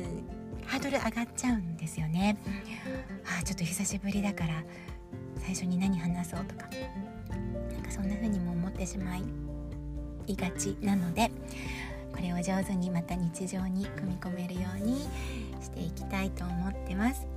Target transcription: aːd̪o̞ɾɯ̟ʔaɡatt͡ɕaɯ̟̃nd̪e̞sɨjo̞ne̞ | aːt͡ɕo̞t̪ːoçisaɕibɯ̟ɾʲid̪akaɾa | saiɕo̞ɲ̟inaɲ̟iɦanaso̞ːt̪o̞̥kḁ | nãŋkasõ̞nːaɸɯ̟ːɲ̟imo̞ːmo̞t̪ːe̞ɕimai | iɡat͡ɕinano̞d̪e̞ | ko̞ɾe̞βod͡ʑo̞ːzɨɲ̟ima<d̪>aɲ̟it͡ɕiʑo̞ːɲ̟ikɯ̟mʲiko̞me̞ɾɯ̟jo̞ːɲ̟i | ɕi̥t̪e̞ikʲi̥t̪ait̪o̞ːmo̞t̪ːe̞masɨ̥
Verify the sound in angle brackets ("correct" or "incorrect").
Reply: incorrect